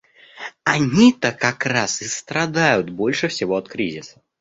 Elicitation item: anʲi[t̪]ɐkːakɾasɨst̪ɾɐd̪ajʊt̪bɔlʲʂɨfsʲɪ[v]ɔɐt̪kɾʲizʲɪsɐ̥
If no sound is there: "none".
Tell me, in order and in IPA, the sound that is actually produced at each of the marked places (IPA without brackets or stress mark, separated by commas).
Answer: t̪, v